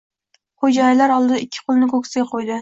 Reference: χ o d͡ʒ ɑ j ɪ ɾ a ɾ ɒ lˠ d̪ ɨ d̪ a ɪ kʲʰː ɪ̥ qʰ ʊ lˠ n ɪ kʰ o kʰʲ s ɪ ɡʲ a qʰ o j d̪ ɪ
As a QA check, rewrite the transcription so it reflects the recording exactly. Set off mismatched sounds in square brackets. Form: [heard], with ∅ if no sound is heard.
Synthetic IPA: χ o d͡ʒ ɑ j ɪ [l] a ɾ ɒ lˠ d̪ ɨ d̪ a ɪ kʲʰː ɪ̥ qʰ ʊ lˠ n ɪ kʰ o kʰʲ s ɪ ɡʲ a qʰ o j d̪ ɪ